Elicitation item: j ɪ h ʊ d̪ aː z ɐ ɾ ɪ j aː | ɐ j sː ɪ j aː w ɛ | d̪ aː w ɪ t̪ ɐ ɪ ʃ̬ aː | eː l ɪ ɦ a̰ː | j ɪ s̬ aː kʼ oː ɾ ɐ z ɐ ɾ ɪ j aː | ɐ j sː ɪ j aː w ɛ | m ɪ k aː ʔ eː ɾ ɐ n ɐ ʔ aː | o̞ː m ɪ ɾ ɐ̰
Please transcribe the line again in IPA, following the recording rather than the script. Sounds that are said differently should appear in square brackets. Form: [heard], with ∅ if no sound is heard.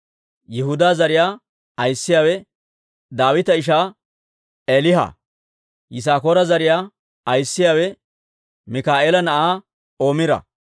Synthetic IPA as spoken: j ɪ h ʊ d̪ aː z ɐ ɾ ɪ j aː | ɐ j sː ɪ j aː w ɛ | d̪ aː w ɪ t̪ ɐ ɪ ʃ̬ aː | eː l ɪ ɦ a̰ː | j ɪ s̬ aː [k] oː ɾ ɐ z ɐ ɾ ɪ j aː | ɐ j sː ɪ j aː w ɛ | m ɪ k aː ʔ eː [l] ɐ n ɐ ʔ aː | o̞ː m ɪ ɾ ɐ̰